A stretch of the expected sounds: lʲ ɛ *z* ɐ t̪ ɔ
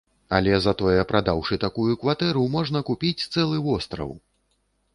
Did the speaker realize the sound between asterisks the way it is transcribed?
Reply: yes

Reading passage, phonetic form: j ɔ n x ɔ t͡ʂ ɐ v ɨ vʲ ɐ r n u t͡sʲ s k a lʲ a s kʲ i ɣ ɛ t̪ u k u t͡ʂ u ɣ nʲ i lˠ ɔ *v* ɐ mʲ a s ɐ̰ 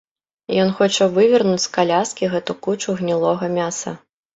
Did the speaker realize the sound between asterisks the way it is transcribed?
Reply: no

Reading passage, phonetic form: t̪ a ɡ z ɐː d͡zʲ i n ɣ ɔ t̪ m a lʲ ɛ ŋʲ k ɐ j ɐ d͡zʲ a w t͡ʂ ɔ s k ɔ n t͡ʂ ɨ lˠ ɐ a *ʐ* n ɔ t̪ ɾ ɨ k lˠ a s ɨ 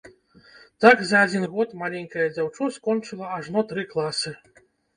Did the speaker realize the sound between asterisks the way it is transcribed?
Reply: yes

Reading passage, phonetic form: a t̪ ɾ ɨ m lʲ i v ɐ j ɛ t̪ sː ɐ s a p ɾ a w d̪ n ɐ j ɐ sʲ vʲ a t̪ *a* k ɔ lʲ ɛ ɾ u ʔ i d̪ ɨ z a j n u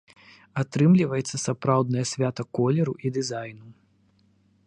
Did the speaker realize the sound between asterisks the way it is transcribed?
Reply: no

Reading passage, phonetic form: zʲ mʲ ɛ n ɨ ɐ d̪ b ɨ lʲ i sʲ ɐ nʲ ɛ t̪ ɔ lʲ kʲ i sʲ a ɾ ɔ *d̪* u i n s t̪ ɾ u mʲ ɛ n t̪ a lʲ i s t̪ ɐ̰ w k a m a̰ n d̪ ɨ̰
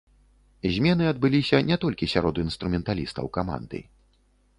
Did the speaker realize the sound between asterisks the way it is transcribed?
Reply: yes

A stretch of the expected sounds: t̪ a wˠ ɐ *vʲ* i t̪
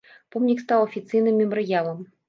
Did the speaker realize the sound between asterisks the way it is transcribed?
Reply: no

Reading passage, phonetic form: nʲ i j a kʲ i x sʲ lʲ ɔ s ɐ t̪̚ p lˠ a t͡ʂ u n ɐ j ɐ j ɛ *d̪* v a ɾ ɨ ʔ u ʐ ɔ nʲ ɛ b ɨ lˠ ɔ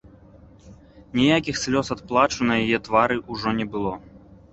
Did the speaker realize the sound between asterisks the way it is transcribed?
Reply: no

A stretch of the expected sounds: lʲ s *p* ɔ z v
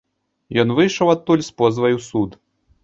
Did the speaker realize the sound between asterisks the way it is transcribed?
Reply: yes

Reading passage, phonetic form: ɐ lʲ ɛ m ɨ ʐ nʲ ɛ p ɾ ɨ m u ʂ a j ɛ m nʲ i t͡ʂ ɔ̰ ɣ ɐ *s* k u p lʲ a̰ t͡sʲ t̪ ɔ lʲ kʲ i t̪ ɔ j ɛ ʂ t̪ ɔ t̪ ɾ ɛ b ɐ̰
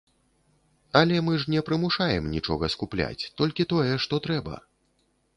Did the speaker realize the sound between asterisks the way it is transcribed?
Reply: yes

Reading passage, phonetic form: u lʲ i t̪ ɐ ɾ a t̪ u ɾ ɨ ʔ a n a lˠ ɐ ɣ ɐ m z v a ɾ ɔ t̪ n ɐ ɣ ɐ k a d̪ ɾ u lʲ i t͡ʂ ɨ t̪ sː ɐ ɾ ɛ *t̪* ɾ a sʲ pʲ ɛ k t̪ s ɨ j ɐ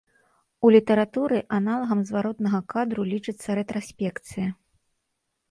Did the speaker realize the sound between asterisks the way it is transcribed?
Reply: yes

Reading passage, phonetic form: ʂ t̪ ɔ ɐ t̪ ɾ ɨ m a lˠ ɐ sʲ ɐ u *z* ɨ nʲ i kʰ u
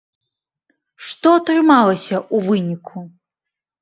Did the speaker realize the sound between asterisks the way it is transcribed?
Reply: no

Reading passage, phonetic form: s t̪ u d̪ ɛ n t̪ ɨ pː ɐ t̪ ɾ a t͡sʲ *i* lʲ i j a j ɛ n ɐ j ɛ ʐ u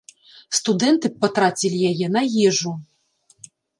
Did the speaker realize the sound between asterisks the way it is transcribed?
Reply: yes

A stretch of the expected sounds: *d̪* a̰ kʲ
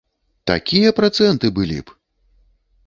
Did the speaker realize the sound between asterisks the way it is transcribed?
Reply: no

